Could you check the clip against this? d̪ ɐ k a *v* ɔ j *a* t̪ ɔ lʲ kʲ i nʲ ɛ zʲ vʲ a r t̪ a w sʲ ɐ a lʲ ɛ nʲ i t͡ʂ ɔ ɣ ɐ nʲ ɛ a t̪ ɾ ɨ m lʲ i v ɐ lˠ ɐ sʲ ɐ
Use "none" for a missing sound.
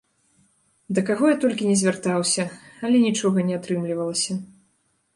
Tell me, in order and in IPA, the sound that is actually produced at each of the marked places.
ɣ, a

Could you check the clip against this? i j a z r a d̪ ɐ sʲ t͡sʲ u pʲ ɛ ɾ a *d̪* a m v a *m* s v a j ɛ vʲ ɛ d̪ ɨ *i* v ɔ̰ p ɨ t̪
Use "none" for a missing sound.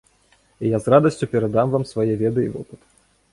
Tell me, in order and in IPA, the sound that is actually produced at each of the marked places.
d̪, m, i

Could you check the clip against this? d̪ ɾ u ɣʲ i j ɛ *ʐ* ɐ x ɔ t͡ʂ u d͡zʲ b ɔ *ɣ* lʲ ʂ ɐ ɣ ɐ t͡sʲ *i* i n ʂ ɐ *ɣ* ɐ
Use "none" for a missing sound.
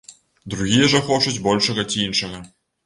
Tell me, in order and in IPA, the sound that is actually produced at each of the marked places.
ʐ, none, i, ɣ

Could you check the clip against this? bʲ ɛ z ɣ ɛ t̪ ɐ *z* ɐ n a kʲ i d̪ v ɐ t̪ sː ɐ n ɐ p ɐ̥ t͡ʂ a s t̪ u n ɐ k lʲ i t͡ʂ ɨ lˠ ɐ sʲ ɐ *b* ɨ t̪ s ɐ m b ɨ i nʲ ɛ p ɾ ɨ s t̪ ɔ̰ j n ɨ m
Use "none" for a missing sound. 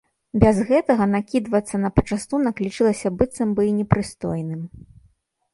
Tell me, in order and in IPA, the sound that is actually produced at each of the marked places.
ɣ, b

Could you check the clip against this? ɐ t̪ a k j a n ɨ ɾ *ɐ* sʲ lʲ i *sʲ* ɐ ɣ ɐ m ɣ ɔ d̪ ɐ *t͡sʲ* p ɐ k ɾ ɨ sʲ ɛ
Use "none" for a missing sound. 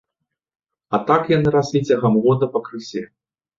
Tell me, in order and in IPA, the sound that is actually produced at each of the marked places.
a, t͡sʲ, none

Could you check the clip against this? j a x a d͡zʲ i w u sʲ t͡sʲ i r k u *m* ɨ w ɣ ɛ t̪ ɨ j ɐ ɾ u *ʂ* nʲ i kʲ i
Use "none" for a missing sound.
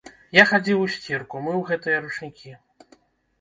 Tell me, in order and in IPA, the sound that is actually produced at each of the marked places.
m, t͡ʂ

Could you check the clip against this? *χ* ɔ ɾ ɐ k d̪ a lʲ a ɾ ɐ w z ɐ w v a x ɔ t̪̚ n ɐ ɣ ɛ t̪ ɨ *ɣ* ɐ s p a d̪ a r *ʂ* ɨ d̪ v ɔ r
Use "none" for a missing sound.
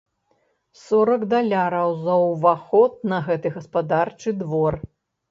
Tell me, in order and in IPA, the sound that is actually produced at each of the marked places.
s, ɣ, t͡ʂ

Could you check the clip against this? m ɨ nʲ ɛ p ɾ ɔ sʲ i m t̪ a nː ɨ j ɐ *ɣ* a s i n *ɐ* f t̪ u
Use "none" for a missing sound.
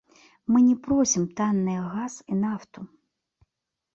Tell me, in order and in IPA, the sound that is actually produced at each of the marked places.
ɣ, a

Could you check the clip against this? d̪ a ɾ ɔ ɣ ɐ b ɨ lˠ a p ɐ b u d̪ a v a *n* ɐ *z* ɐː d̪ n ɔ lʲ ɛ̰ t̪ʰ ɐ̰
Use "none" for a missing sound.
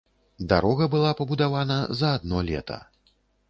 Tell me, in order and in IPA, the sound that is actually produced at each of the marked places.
n, z

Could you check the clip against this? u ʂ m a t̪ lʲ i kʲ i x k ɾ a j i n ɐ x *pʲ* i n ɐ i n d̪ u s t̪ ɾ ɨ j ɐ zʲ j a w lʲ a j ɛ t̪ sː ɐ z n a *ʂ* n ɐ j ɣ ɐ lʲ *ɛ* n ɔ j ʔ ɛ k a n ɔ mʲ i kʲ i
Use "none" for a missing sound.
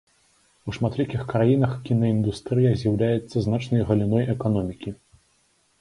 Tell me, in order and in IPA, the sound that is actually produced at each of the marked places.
kʲ, t͡ʂ, i

